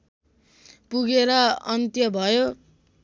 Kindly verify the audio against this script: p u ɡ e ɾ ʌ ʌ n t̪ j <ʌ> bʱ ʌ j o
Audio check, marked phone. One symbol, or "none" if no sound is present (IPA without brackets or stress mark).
ʌ